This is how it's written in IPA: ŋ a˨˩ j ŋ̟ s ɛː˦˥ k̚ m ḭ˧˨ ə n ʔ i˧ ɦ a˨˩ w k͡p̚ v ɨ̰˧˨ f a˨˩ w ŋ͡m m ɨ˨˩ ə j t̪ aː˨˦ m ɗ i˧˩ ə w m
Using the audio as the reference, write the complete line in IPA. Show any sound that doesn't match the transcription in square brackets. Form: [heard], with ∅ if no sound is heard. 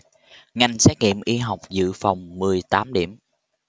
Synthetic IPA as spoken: ŋ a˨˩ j ŋ̟ s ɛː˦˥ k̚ [ŋ] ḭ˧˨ ə [m] ʔ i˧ ɦ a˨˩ w k͡p̚ [z] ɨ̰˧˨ f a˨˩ w ŋ͡m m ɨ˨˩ ə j t̪ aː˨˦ m ɗ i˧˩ ə [∅] m